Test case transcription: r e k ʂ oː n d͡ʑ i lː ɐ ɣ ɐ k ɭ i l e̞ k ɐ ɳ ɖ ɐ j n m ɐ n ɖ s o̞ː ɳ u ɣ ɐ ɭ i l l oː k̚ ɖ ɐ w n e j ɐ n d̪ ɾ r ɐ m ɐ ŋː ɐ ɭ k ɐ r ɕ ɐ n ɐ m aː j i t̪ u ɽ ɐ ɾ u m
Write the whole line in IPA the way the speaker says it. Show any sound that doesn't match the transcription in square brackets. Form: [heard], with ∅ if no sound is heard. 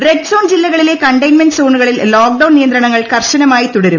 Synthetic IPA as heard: r e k [s] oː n d͡ʑ i lː ɐ ɣ ɐ [∅] ɭ i l e̞ k ɐ ɳ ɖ ɐ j n m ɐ n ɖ s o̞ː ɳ u ɣ ɐ ɭ i l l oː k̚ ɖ ɐ w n [i] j ɐ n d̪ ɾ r ɐ [ɳ] ɐ ŋː ɐ ɭ k ɐ r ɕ ɐ n ɐ m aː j i t̪ u ɽ ɐ ɾ u m